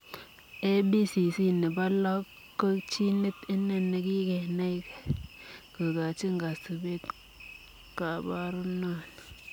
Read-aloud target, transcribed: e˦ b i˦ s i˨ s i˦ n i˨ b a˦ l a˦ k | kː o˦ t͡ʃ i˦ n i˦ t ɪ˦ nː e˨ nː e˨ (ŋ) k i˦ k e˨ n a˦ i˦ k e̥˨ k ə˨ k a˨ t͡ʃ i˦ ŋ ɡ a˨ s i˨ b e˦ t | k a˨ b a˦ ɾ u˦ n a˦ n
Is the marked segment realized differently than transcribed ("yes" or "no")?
yes